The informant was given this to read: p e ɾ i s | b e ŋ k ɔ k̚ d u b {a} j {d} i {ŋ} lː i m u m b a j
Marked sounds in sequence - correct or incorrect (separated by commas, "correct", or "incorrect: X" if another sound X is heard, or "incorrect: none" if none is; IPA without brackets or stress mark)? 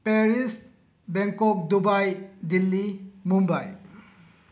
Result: correct, correct, incorrect: none